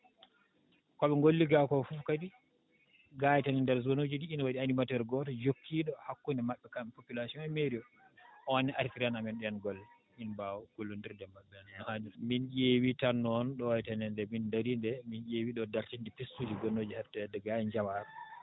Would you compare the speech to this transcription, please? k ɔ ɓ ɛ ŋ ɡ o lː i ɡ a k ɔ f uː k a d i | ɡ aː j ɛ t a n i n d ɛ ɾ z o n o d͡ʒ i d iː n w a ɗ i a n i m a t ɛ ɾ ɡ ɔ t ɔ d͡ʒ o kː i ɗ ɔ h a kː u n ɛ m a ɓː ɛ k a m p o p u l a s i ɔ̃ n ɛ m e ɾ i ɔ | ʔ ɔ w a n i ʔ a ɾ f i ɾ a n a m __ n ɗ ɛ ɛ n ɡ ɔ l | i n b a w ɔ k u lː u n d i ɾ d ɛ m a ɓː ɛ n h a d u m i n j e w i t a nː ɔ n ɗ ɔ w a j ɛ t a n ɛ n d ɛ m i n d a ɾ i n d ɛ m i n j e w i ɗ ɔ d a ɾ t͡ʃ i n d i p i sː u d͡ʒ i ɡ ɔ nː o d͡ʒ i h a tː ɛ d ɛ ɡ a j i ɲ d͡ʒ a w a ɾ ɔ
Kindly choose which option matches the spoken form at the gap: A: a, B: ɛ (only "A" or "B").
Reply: B